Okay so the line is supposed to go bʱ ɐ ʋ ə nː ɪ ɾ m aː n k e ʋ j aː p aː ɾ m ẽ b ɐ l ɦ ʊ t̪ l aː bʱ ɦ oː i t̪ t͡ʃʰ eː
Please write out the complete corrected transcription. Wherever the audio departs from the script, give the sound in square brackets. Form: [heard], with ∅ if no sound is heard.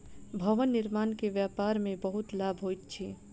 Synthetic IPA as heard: bʱ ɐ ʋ ə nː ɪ ɾ m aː n k e ʋ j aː p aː ɾ m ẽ b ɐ [∅] ɦ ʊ t̪ l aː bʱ ɦ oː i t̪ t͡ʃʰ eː